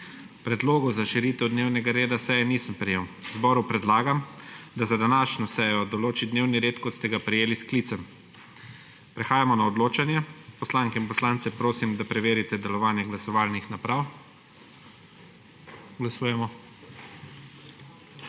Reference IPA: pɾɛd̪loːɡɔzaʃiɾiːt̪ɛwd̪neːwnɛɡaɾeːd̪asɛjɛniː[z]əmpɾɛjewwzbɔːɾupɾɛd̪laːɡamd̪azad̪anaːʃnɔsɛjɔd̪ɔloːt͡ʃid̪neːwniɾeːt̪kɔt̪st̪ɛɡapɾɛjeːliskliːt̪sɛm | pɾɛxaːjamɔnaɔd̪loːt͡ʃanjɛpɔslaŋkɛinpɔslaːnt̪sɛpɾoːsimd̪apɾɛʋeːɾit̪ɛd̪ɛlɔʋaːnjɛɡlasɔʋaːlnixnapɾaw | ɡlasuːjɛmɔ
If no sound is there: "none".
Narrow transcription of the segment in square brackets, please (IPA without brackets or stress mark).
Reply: s